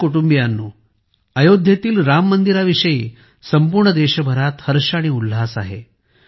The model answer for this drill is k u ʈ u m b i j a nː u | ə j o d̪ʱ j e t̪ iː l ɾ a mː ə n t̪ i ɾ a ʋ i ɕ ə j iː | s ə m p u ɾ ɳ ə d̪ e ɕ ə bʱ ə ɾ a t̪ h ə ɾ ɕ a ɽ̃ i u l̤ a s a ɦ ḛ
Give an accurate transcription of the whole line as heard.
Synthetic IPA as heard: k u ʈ u m b i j a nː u | ə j o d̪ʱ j e t̪ iː l ɾ a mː ə n d̪ i ɾ a ʋ i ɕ ə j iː | s ə m p u ɾ ɳ ə d̪ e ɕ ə bʱ ə ɾ a t̪ h ə ɾ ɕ a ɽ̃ i u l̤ a s a ɦ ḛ